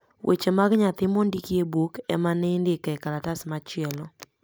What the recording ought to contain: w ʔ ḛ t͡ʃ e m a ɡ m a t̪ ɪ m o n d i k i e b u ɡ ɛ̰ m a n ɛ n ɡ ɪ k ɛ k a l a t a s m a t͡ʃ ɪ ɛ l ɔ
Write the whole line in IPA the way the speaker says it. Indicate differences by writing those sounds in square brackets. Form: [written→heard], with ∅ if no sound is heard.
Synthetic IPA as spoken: w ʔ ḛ t͡ʃ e m a ɡ [m→ɲ] a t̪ ɪ m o n d i k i e b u [ɡ→k] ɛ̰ m a n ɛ n [ɡ→d] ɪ k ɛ k a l a t a s m a t͡ʃ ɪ ɛ l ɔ

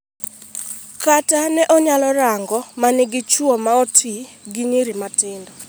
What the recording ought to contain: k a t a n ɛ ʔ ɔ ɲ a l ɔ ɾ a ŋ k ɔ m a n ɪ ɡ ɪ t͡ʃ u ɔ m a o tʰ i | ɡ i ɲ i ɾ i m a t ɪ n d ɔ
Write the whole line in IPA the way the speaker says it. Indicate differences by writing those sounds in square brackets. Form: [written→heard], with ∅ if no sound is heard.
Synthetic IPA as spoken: k a t a n ɛ ʔ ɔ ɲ a l ɔ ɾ a ŋ [k→ɡ] ɔ m a n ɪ ɡ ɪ t͡ʃ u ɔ m a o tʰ i | ɡ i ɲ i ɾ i m a t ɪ n d ɔ

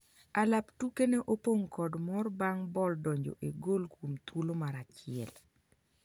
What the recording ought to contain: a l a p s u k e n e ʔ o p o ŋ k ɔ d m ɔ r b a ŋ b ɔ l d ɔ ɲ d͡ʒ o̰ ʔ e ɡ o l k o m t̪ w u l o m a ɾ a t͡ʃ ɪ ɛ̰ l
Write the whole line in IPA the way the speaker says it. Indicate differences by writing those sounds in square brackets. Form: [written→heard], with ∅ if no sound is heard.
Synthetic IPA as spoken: a l a p [s→t] u k e n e ʔ o p o ŋ k ɔ d m ɔ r b a ŋ b ɔ l d ɔ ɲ d͡ʒ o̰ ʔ e ɡ o l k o m t̪ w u l o m a ɾ a t͡ʃ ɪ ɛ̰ l

